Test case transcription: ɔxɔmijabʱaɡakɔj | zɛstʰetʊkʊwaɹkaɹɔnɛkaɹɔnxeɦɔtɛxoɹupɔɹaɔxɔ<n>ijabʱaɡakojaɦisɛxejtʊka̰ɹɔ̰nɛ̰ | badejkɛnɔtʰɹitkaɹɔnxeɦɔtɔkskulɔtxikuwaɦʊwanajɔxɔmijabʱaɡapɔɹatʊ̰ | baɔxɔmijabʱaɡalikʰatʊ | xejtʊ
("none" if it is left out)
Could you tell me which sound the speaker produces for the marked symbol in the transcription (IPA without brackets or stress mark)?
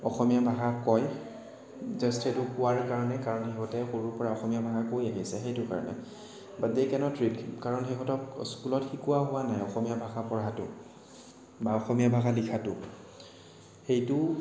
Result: m